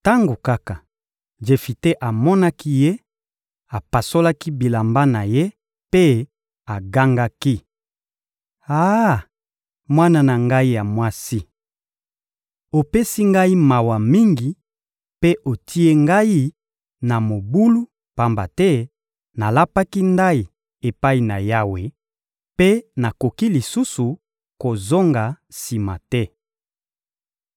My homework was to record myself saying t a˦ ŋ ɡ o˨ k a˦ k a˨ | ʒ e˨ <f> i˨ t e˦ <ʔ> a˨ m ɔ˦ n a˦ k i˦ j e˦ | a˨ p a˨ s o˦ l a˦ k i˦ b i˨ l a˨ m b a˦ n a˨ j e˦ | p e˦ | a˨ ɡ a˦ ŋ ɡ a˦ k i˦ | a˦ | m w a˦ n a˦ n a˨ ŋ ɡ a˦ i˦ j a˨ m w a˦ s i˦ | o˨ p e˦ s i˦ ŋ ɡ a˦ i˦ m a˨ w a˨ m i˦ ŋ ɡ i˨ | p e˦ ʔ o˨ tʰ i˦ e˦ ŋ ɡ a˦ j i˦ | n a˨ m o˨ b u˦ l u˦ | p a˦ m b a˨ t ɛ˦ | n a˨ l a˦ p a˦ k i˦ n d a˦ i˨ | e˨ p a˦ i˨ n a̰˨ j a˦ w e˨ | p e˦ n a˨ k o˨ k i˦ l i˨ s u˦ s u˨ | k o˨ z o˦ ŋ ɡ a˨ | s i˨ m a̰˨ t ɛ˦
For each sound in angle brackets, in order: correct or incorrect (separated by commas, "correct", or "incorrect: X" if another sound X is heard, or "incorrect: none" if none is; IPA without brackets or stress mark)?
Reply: correct, correct